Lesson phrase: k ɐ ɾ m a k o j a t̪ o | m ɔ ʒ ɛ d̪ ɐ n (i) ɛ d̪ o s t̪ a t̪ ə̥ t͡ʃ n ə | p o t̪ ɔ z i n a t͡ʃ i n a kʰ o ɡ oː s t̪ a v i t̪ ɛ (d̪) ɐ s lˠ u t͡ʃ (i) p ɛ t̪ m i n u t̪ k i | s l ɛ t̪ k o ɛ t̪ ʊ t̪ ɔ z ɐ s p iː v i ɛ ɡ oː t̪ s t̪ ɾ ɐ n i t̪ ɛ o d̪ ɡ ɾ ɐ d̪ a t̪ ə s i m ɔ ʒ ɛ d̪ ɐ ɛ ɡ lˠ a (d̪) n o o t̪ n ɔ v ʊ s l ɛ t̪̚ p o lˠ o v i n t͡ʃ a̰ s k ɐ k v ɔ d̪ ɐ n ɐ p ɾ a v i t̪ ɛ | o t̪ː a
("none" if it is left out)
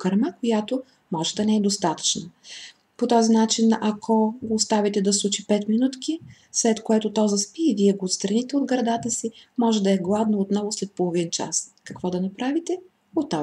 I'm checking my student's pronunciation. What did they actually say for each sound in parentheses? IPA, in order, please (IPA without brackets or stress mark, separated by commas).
ɛ, d̪, i, d̪